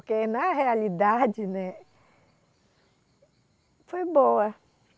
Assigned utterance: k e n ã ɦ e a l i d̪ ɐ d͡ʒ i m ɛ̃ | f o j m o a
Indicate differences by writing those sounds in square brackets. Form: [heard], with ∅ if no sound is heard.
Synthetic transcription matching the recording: k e n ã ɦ e a l i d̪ [a] d͡ʒ i [n] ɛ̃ | f o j [b] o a